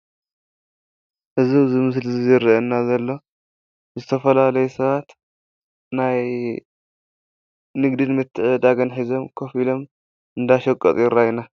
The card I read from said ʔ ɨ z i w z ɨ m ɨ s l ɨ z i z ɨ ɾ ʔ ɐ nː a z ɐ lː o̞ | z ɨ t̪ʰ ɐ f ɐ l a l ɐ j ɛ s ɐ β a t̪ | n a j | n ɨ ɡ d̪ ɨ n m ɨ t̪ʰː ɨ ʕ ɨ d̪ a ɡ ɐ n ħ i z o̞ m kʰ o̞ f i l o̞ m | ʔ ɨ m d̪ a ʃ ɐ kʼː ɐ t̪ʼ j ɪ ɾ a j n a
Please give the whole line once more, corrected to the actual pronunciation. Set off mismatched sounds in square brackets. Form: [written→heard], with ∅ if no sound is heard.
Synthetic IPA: ʔ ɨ z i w z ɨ m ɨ s l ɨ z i z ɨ ɾ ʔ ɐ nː a z ɐ lː o̞ | z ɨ t̪ʰ ɐ f ɐ l a l ɐ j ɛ s ɐ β a t̪ | n a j | n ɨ ɡ d̪ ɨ n m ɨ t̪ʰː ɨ ʕ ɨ d̪ a ɡ ɐ n ħ i z o̞ m kʰ o̞ f i l o̞ m | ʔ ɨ [m→n] d̪ a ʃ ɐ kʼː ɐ t̪ʼ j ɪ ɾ a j n a

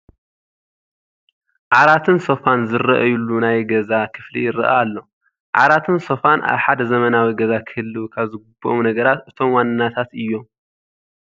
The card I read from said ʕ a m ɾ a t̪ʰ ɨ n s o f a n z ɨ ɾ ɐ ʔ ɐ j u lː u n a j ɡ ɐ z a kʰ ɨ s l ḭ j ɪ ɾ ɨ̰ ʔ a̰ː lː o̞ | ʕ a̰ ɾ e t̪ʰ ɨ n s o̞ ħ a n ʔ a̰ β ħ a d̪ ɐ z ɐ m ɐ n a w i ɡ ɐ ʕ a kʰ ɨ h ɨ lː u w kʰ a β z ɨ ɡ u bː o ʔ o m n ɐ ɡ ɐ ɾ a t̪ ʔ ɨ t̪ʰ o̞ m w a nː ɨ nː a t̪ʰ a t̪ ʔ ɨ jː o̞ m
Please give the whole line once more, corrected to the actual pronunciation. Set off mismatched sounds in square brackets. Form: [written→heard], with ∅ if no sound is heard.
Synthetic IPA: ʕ a [m→∅] ɾ a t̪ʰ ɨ n s o f a n z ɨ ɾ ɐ ʔ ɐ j u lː u n a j ɡ ɐ z a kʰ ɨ [s→f] l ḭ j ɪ ɾ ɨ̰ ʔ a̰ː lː o̞ | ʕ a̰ ɾ [e→a] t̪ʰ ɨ n s o̞ [ħ→f] a n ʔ a̰ β ħ a d̪ ɐ z ɐ m ɐ n a w i ɡ ɐ [ʕ→z] a kʰ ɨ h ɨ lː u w kʰ a β z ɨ ɡ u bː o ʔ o m n ɐ ɡ ɐ ɾ a t̪ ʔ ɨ t̪ʰ o̞ m w a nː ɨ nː a t̪ʰ a t̪ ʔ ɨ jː o̞ m

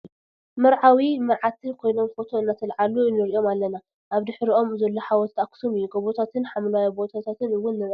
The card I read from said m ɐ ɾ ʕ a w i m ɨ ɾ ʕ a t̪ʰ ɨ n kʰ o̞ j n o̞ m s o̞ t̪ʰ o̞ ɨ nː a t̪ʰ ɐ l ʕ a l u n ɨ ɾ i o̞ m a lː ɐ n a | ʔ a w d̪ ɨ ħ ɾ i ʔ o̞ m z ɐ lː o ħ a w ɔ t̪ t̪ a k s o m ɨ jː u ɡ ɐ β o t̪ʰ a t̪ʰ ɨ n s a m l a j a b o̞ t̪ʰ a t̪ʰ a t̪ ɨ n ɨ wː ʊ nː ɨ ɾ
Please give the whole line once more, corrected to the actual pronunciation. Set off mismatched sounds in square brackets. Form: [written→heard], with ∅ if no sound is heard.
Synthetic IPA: m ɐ ɾ ʕ a w i m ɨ ɾ ʕ a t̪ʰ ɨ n kʰ o̞ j n o̞ m [s→f] o̞ t̪ʰ o̞ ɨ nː a t̪ʰ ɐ l ʕ a l u n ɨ ɾ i o̞ m a lː ɐ n a | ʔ a [w→β] d̪ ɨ ħ ɾ i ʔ o̞ m z ɐ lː o ħ a w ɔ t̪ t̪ a k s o m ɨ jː u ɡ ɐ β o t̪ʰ a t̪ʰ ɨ n [s→ħ] a m l a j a b o̞ t̪ʰ a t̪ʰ a t̪ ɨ n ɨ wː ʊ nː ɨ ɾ

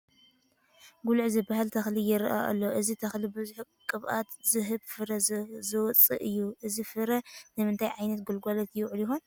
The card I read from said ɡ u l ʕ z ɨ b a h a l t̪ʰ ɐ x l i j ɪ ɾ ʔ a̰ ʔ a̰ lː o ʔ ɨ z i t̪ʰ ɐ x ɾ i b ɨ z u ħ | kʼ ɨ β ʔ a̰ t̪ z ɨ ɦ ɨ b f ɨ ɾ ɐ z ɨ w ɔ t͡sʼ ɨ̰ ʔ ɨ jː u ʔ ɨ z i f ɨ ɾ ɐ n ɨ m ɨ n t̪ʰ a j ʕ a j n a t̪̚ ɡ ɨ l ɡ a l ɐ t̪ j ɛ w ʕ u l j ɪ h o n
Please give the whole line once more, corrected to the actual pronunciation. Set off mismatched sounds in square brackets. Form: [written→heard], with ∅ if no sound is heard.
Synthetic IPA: ɡ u l ʕ z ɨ b a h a l t̪ʰ ɐ x l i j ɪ ɾ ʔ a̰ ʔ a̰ lː o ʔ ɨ z i t̪ʰ ɐ x [ɾ→l] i b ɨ z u ħ | kʼ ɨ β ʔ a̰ t̪ z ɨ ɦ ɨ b f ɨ ɾ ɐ z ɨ w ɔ t͡sʼ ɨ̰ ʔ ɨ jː u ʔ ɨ z i f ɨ ɾ ɐ n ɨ m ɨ n t̪ʰ a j ʕ a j n [a→ɐ] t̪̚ ɡ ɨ l ɡ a l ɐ t̪ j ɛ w ʕ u l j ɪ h o n

